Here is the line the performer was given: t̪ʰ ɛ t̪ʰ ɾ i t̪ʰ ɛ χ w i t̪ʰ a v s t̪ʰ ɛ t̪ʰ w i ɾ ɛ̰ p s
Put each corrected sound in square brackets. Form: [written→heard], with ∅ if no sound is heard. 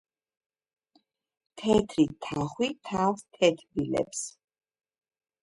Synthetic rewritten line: t̪ʰ ɛ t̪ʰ ɾ i t̪ʰ [ɛ→a] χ w i t̪ʰ a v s t̪ʰ ɛ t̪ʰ [w→b] i [ɾ→l] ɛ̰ p s